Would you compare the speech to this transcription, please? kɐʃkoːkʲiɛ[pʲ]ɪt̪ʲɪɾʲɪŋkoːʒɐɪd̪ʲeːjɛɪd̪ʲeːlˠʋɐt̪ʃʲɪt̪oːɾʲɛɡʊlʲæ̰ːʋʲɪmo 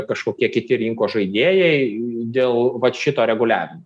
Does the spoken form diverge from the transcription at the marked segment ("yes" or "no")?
yes